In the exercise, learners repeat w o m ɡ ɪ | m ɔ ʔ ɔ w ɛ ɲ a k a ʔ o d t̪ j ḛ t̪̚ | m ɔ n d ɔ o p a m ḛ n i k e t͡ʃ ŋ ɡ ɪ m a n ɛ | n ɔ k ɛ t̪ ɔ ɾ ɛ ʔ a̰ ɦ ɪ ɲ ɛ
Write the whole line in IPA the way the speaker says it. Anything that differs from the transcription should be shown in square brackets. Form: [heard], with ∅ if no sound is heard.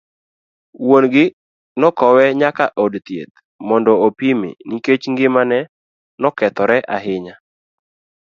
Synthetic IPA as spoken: w o [n] ɡ ɪ | [n] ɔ [k] ɔ w ɛ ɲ a k a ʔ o d t̪ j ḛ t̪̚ | m ɔ n d ɔ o p [i] m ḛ n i k e t͡ʃ ŋ ɡ ɪ m a n ɛ | n ɔ k ɛ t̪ ɔ ɾ ɛ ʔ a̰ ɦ ɪ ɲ [a]